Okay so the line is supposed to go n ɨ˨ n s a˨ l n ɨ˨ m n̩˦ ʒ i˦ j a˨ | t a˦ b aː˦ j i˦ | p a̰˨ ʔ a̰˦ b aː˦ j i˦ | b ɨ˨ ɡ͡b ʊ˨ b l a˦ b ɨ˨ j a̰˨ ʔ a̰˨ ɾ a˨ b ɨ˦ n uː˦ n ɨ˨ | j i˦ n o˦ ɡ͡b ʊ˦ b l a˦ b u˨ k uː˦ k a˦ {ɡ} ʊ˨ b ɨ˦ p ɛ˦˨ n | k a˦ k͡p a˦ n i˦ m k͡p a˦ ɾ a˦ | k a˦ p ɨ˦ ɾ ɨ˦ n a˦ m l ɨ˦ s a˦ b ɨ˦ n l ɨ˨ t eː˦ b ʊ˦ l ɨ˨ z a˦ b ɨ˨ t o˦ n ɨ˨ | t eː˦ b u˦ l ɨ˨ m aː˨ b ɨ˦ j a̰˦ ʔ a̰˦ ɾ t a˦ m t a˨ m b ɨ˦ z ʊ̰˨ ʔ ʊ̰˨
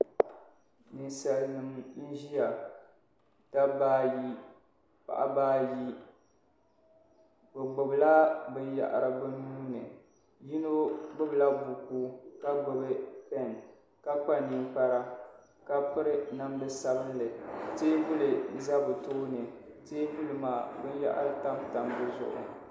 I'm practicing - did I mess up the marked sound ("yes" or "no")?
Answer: yes